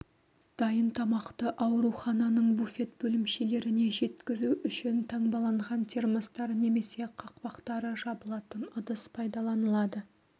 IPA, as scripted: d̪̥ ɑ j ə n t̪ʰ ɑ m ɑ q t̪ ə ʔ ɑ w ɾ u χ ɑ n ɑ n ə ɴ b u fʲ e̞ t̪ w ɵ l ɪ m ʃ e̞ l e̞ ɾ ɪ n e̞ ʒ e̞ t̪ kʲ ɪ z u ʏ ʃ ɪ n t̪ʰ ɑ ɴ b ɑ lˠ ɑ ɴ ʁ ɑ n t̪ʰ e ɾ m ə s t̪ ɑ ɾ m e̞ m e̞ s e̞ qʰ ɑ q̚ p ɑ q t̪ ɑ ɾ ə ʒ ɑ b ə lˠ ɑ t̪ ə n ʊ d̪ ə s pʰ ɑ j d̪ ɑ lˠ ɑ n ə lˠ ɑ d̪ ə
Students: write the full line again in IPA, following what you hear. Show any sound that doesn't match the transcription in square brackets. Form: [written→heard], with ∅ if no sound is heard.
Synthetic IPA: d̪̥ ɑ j ə n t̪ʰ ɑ m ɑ q t̪ ə ʔ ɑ w ɾ u χ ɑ n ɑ n ə ɴ b u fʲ e̞ t̪ [w→b] ɵ l ɪ m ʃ e̞ l e̞ ɾ ɪ n e̞ ʒ e̞ t̪ kʲ ɪ z u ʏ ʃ ɪ n t̪ʰ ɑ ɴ b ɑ lˠ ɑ ɴ ʁ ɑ n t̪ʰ e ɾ m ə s t̪ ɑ ɾ [m→n] e̞ m e̞ s e̞ qʰ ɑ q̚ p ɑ q t̪ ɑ ɾ ə ʒ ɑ b ə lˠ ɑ t̪ ə n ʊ d̪ ə s pʰ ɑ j d̪ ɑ lˠ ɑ n ə lˠ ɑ d̪ ə

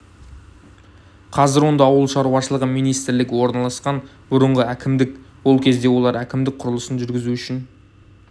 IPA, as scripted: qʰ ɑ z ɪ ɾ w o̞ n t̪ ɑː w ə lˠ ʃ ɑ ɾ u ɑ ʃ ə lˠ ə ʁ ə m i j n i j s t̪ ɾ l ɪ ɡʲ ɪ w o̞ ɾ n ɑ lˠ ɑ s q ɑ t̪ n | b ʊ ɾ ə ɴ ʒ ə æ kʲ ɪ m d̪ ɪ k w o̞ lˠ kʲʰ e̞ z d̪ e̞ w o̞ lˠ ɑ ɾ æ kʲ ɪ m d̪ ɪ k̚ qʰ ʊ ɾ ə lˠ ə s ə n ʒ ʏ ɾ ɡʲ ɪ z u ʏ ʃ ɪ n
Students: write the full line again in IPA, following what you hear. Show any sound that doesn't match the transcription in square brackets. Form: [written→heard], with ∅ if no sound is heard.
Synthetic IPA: qʰ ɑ z ɪ ɾ w o̞ n [t̪→d̪] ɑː w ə lˠ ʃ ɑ ɾ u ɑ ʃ ə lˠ ə ʁ ə m i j n i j s t̪ ɾ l ɪ ɡʲ ɪ w o̞ ɾ n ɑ lˠ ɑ s q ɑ [t̪→∅] n | b ʊ ɾ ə ɴ [ʒ→ʁ] ə æ kʲ ɪ m d̪ ɪ k w o̞ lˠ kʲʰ e̞ z d̪ e̞ w o̞ lˠ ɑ ɾ æ kʲ ɪ m d̪ ɪ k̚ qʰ ʊ ɾ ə lˠ ə s ə n ʒ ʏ ɾ ɡʲ ɪ z u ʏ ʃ ɪ n

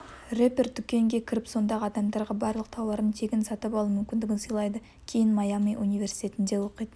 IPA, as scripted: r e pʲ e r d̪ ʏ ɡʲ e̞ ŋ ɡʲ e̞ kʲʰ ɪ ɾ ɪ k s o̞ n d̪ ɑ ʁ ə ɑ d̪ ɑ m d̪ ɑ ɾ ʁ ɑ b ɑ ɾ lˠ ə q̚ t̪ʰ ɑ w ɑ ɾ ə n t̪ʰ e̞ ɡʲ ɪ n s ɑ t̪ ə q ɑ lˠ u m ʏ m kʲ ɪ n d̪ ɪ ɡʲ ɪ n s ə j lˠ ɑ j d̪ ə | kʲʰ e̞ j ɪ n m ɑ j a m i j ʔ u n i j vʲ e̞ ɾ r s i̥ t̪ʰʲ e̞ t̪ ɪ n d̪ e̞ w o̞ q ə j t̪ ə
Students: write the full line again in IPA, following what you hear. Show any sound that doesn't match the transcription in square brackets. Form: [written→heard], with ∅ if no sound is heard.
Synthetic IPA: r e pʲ e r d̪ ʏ [ɡʲ→kʲ] e̞ ŋ ɡʲ e̞ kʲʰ ɪ ɾ ɪ [k→p] s o̞ n d̪ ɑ ʁ ə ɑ d̪ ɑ m d̪ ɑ ɾ ʁ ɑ b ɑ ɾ lˠ ə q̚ t̪ʰ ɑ w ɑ ɾ ə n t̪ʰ e̞ ɡʲ ɪ n s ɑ t̪ ə [q→p] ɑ lˠ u m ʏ m kʲ ɪ n d̪ ɪ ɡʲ ɪ n s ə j lˠ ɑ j d̪ ə | kʲʰ e̞ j ɪ n m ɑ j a m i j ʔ u n i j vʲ e̞ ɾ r s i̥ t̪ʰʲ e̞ t̪ ɪ n d̪ e̞ w o̞ q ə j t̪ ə

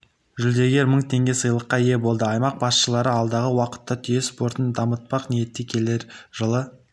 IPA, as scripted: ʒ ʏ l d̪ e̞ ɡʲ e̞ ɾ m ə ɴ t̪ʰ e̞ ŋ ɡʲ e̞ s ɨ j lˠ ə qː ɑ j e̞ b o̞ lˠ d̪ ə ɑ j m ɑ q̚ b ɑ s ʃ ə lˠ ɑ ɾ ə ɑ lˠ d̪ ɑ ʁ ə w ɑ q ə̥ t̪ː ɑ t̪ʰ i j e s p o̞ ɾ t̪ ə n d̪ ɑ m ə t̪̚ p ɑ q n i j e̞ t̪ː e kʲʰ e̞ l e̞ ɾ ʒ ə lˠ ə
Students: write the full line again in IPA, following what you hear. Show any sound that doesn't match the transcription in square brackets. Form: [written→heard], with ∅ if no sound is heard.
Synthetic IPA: ʒ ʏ l d̪ e̞ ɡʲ e̞ ɾ m ə ɴ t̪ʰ e̞ ŋ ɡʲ e̞ s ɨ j lˠ ə qː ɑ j e̞ b o̞ lˠ d̪ ə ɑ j m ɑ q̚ b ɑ s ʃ ə lˠ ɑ ɾ ə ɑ lˠ d̪ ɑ ʁ ə w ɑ q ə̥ t̪ː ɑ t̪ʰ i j e s p o̞ ɾ t̪ ə n d̪ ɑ m ə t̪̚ p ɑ q n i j e̞ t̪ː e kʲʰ e̞ l e̞ ɾ ʒ ə lˠ ə

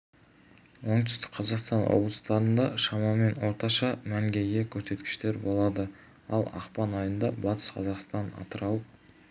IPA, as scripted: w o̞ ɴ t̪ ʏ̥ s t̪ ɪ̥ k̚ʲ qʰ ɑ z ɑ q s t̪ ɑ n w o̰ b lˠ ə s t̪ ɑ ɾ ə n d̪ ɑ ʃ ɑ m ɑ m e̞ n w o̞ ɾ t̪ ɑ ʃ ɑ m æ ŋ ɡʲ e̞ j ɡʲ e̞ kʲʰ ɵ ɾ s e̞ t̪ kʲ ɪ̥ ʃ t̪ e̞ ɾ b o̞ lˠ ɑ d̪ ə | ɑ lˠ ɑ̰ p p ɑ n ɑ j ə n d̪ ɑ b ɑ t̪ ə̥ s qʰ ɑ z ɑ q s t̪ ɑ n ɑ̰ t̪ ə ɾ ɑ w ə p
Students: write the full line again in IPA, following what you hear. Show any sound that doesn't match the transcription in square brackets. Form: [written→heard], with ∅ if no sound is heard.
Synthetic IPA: w o̞ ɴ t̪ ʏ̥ s t̪ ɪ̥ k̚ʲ qʰ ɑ z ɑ q s t̪ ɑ n w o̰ b lˠ ə s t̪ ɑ ɾ ə n d̪ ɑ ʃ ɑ m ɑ m e̞ n w o̞ ɾ t̪ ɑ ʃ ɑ m æ ŋ ɡʲ e̞ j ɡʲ e̞ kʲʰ ɵ ɾ s e̞ t̪ kʲ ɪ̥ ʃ t̪ e̞ ɾ b o̞ lˠ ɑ d̪ ə | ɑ lˠ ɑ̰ [p→q] p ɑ n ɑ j ə n d̪ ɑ b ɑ t̪ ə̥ s qʰ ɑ z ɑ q s t̪ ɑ n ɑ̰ t̪ ə ɾ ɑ w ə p

